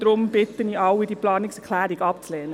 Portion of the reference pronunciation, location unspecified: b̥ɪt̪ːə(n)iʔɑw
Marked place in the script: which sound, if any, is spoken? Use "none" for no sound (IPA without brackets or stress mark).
n